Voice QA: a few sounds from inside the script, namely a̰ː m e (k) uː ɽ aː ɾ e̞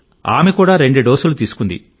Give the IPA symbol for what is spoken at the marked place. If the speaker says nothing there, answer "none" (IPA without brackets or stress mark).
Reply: k